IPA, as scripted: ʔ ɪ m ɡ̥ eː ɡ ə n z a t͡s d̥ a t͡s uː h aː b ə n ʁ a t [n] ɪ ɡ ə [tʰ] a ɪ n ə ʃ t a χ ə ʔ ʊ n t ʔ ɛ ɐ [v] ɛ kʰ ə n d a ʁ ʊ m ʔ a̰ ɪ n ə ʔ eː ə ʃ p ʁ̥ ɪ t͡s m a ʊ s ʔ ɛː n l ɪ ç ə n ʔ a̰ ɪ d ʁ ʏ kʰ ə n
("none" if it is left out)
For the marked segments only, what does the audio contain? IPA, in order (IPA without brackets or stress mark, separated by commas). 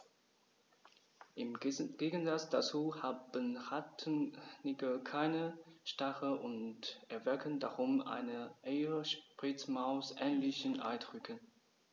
n, kʰ, v